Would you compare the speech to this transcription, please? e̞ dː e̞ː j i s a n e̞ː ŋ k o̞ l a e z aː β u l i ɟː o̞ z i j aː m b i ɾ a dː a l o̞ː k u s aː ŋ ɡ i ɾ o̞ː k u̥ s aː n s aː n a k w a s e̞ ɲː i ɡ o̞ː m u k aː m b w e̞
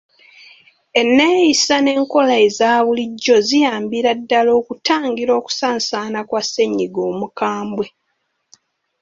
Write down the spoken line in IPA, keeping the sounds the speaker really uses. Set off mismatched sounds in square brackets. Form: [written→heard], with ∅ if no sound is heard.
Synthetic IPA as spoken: e̞ [dː→nː] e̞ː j i s a n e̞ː ŋ k o̞ l a e z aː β u l i ɟː o̞ z i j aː m b i ɾ a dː a l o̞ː k u [s→t] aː ŋ ɡ i ɾ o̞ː k u̥ s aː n s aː n a k w a s e̞ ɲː i ɡ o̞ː m u k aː m b w e̞